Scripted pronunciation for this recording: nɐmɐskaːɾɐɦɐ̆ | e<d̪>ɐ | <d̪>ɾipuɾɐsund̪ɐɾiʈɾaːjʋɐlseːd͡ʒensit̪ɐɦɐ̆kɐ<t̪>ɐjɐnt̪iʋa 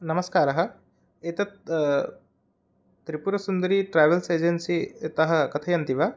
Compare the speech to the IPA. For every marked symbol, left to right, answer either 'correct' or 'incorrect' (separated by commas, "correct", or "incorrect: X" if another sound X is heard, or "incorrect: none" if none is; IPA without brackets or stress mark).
incorrect: t̪, incorrect: t̪, incorrect: t̪ʰ